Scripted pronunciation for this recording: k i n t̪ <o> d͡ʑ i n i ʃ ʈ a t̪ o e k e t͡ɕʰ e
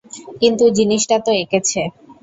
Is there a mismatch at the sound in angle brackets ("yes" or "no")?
yes